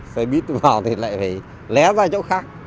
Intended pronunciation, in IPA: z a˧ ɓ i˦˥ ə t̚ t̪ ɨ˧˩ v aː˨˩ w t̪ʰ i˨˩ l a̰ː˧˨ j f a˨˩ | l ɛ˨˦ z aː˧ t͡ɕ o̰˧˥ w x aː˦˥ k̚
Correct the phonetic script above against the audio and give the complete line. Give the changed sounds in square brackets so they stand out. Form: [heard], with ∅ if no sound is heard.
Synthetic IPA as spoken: [s] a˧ ɓ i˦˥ ə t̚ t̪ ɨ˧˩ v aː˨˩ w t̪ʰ i˨˩ l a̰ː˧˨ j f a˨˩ | l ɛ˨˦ z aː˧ t͡ɕ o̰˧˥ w x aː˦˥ k̚